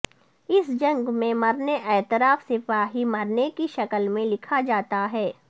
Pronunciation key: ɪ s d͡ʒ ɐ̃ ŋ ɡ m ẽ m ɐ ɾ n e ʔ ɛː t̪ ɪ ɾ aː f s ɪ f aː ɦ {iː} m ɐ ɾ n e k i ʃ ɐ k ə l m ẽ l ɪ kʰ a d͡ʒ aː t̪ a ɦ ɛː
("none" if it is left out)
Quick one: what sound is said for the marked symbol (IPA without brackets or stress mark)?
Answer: i